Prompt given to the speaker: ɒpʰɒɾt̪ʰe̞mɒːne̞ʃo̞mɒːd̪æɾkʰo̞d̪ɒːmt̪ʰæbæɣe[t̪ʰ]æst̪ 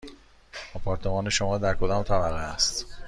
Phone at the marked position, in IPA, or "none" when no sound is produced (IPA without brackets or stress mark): none